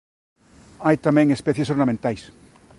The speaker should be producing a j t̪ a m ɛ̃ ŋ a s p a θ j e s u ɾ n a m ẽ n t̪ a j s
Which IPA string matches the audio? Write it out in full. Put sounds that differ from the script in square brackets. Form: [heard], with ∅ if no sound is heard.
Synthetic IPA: a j t̪ a m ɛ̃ ŋ [e] s p [ɛ] θ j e s [o] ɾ n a m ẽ n t̪ a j s